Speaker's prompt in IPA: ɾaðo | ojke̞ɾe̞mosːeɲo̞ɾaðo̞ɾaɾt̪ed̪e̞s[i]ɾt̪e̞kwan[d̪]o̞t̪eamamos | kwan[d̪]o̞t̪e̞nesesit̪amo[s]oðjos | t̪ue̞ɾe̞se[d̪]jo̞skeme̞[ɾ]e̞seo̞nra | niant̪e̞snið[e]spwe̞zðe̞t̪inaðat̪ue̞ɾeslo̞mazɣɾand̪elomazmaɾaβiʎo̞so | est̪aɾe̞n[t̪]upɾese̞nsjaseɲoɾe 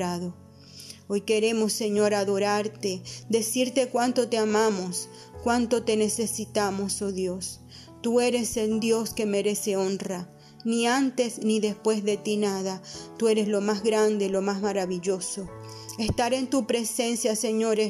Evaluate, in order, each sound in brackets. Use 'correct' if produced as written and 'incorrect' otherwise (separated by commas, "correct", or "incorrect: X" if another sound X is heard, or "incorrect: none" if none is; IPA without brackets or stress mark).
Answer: correct, incorrect: t̪, incorrect: t̪, correct, correct, correct, correct, correct